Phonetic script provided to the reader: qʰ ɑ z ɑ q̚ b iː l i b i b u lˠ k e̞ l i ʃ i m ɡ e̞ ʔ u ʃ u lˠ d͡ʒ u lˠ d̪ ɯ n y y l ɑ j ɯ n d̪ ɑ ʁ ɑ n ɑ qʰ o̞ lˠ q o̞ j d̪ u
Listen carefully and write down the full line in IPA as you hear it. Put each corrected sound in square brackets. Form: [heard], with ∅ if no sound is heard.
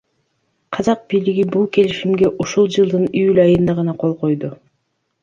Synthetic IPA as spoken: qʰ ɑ z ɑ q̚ b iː l i [ɡ] i b u lˠ k e̞ l i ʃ i m ɡ e̞ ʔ u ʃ u lˠ d͡ʒ [ɯ] lˠ d̪ ɯ n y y l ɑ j ɯ n d̪ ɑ ʁ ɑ n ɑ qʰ o̞ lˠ q o̞ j d̪ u